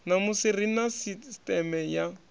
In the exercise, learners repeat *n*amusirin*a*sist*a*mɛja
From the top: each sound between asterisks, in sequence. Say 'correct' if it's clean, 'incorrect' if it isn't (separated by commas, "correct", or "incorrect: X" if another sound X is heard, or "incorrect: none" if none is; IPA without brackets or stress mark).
correct, correct, incorrect: ɛ